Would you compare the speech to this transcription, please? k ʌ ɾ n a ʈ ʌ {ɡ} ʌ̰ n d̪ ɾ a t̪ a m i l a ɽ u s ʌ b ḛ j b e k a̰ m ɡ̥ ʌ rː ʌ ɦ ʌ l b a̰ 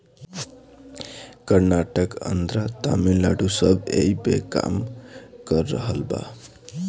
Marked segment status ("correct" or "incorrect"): incorrect